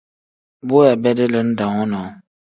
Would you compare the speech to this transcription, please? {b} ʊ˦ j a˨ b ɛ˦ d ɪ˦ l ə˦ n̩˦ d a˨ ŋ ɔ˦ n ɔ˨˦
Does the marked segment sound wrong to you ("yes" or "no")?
no